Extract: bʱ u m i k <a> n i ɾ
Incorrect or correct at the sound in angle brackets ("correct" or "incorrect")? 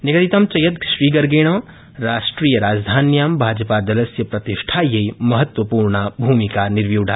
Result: correct